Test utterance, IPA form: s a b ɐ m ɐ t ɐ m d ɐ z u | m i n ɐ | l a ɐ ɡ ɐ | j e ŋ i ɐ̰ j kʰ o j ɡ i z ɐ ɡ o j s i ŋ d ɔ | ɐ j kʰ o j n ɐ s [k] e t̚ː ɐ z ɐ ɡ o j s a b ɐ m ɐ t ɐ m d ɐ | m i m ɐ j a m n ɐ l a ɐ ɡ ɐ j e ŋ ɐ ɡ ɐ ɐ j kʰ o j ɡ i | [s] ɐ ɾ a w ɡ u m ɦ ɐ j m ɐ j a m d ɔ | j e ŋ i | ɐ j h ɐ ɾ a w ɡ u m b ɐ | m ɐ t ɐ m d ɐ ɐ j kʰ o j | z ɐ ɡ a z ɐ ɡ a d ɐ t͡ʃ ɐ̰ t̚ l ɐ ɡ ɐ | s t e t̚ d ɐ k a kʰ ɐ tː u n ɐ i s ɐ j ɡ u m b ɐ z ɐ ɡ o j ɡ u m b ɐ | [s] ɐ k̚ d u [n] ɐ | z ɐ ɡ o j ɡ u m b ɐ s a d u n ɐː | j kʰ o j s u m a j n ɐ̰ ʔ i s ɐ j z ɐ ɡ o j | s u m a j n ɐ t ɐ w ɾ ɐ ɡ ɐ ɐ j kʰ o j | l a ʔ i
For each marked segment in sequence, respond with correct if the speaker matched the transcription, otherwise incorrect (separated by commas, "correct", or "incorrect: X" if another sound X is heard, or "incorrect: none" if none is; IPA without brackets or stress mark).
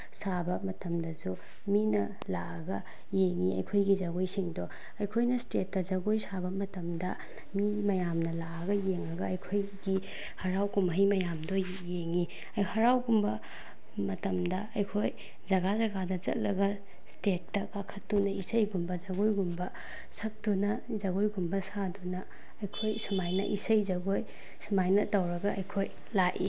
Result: incorrect: t, incorrect: h, correct, correct